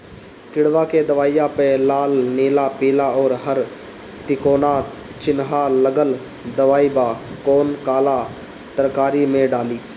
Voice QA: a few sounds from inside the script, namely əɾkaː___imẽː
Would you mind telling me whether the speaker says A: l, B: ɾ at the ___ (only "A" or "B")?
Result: B